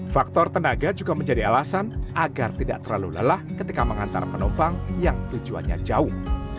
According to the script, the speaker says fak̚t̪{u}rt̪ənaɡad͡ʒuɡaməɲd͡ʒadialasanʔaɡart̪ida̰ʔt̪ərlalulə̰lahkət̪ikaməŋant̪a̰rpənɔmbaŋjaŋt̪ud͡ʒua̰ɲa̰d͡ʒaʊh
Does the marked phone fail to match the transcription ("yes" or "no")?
yes